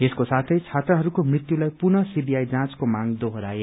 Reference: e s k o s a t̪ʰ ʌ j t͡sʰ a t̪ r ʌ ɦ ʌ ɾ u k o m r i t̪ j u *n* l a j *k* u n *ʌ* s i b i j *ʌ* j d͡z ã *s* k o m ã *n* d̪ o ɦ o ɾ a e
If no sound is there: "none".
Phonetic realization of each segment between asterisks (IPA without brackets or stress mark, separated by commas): none, p, ʌ, a, t͡s, ŋ